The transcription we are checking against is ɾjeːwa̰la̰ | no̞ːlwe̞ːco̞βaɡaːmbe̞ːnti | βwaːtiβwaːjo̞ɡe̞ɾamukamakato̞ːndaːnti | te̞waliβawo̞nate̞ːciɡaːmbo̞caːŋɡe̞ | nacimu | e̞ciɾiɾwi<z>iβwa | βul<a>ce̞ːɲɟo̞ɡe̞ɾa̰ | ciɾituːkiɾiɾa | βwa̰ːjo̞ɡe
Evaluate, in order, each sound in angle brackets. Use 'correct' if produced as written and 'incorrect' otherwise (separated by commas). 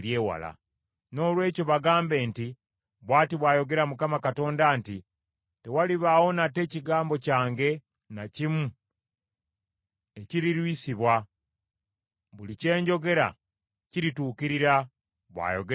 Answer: incorrect, incorrect